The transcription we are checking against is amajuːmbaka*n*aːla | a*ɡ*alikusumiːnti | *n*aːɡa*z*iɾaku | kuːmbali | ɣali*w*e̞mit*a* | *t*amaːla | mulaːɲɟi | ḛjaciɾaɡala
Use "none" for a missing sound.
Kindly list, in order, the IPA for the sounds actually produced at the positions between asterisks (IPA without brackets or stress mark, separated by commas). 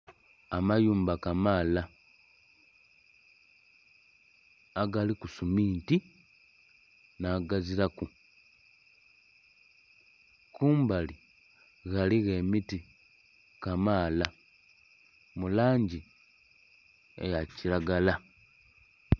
m, ɡ, n, z, ɣ, i, k